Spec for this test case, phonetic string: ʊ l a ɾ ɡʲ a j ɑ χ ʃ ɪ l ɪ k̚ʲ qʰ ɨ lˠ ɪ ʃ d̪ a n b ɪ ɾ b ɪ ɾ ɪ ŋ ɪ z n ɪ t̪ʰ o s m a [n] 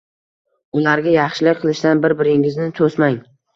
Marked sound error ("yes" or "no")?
yes